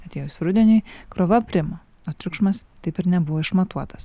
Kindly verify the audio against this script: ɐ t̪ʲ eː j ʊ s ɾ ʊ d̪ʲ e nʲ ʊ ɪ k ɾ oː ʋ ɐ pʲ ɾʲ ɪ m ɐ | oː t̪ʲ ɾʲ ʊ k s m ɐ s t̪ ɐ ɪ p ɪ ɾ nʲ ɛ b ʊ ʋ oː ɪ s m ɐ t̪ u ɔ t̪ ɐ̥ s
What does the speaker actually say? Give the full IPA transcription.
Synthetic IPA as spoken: ɐ t̪ʲ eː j ʊ s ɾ ʊ d̪ʲ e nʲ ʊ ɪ k ɾ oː ʋ ɐ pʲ ɾʲ ɪ m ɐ | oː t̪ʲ ɾʲ ʊ k ʃ m ɐ s t̪ ɐ ɪ p ɪ ɾ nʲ ɛ b ʊ ʋ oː ɪ ʃ m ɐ t̪ u ɔ t̪ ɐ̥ s